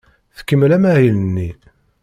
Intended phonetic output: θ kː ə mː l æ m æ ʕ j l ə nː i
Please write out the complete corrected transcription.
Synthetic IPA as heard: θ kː ə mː l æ m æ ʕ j l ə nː i